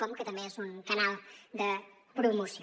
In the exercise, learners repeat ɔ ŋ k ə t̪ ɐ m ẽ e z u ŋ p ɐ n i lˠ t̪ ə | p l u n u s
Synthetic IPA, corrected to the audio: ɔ m k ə t̪ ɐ m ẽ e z u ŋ k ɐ n a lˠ d̪ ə | p ɾ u m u s